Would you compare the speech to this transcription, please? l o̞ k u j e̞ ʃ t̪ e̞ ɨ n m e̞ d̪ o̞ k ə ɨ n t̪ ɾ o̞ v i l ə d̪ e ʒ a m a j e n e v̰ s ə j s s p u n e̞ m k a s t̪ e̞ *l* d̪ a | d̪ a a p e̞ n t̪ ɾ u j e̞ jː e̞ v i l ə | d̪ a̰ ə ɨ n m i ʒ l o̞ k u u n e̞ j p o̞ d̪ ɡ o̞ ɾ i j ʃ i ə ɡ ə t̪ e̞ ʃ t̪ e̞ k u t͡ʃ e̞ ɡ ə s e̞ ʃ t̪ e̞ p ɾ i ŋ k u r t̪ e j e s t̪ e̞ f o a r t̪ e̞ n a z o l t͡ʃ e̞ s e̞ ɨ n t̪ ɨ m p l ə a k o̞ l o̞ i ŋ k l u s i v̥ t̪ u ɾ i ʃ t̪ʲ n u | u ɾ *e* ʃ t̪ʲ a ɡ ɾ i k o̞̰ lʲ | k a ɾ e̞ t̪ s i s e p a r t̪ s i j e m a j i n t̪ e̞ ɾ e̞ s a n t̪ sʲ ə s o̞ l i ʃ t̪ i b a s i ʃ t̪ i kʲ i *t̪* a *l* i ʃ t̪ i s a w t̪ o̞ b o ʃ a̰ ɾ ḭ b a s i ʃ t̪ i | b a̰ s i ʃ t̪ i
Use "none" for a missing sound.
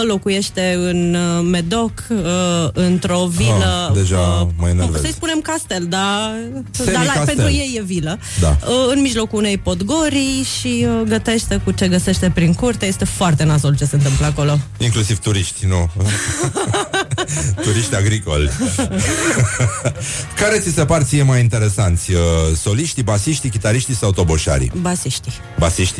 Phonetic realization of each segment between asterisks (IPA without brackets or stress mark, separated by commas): l, i, t̪, ɾ